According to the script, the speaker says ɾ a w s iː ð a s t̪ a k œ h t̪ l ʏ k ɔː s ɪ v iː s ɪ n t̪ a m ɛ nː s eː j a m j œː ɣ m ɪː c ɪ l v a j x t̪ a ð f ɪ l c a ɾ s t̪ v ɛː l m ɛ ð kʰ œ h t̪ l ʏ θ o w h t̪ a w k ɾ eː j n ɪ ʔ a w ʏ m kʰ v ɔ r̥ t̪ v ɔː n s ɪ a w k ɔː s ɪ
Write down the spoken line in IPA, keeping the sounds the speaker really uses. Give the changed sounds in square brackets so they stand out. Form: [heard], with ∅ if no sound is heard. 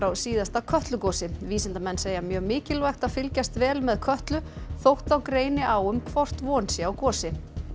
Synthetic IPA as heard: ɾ a w s iː ð a s t̪ a [kʰ] œ h t̪ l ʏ k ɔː s ɪ v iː s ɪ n t̪ a m ɛ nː s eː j a m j œː ɣ m ɪː c ɪ l v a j x t̪ a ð f ɪ l c a [∅] s t̪ v ɛː l m ɛ ð kʰ œ h t̪ l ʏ θ o w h t̪ a w k ɾ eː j n ɪ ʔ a w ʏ m kʰ v ɔ r̥ t̪ v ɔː n s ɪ a w k ɔː s ɪ